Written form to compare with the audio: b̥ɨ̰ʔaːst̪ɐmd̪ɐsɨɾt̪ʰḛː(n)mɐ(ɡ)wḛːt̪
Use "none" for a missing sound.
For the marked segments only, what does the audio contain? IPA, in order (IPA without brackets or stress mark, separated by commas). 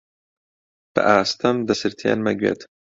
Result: n, ɡ